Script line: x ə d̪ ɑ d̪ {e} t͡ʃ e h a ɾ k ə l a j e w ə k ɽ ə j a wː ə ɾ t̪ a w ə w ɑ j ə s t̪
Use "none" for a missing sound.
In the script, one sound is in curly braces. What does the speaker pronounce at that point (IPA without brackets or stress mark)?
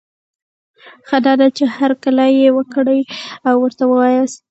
a